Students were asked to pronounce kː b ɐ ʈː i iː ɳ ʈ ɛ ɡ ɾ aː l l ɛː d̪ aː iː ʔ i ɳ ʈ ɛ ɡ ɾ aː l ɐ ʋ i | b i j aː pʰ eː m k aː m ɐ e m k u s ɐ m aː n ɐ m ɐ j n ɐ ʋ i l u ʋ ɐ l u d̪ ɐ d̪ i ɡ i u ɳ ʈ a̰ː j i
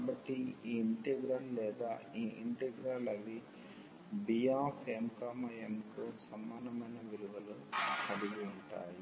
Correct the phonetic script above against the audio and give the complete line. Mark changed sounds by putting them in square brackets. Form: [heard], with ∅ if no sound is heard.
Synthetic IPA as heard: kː b ɐ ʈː i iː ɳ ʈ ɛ ɡ ɾ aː l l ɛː d̪ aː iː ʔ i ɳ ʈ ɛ ɡ ɾ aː l ɐ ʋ i | b i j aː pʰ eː m k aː m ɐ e m k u s ɐ m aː n ɐ m ɐ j n ɐ ʋ i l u ʋ ɐ l u [∅] ɐ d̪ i ɡ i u ɳ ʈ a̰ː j i